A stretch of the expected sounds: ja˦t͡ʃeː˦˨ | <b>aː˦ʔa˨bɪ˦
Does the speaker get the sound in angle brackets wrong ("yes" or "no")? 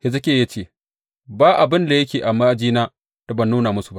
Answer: no